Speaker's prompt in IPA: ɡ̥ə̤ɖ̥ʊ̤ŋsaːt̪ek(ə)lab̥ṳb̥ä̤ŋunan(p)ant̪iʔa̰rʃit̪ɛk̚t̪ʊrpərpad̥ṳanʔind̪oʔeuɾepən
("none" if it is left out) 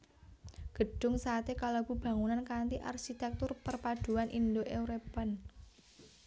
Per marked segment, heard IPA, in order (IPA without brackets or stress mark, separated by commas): a, k